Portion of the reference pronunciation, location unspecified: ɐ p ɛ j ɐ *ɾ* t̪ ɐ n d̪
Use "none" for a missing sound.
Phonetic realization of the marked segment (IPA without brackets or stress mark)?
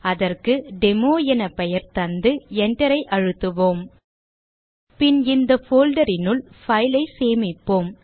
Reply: ɾ